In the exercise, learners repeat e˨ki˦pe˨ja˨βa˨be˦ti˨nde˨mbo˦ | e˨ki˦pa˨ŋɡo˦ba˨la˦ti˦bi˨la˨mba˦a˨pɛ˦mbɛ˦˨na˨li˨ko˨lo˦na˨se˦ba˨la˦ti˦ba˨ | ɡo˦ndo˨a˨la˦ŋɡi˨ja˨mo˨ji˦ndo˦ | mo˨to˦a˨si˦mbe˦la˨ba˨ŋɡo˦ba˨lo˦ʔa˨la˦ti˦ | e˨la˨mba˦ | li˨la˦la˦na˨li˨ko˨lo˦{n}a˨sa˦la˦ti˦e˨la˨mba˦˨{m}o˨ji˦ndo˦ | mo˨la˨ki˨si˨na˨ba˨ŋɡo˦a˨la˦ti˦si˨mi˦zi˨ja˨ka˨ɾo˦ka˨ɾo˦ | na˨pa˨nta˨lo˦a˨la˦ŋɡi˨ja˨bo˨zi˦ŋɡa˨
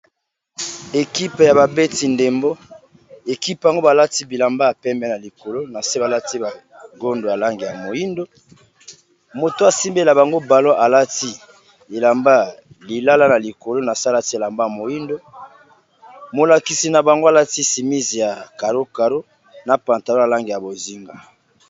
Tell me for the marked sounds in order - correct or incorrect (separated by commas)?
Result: correct, correct